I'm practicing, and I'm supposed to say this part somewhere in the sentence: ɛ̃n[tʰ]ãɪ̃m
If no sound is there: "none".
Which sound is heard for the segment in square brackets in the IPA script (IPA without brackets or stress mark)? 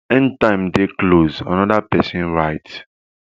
t